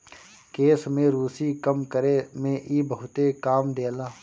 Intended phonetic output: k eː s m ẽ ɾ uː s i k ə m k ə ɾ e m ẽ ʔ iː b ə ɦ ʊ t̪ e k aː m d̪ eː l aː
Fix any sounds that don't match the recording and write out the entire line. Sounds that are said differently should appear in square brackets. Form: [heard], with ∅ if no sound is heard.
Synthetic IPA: k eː s m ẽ ɾ uː s i k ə m k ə ɾ e m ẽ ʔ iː b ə ɦ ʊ t̪ e k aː m d̪ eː l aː